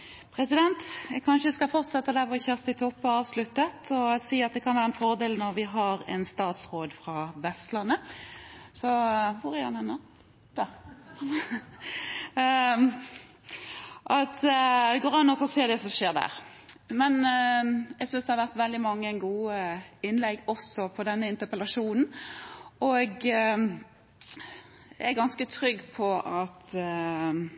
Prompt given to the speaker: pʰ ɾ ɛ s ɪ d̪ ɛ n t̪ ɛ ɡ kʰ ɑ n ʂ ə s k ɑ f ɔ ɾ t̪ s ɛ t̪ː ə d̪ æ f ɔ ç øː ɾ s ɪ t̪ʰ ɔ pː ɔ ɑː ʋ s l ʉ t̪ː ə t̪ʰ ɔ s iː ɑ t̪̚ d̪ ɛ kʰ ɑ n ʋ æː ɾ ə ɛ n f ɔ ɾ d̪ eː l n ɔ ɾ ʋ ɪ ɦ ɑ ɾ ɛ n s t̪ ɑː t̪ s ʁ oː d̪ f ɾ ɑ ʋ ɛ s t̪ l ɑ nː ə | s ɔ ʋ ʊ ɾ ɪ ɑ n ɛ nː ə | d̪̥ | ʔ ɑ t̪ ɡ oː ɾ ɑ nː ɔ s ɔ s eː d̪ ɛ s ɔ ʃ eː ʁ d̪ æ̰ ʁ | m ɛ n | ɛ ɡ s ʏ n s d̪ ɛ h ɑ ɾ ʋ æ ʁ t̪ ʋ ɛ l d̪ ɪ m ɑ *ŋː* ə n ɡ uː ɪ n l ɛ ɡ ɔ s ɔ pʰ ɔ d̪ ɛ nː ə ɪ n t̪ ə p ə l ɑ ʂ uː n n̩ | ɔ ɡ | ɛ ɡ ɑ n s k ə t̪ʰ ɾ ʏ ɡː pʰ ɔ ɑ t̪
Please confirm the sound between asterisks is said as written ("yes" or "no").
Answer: yes